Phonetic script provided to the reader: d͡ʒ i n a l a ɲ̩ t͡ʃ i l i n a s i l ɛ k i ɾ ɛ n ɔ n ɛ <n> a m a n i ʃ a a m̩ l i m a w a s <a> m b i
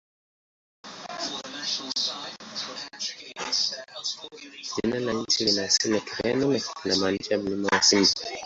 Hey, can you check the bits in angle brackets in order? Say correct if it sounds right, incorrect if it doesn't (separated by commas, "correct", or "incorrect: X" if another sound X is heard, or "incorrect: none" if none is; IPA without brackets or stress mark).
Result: correct, incorrect: i